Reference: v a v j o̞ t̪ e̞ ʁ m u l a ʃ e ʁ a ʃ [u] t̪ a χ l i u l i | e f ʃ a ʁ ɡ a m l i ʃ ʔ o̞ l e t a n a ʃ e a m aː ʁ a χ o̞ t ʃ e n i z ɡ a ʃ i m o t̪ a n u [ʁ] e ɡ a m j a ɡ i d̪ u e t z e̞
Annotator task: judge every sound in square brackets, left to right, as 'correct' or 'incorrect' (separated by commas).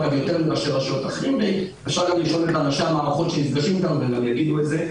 incorrect, incorrect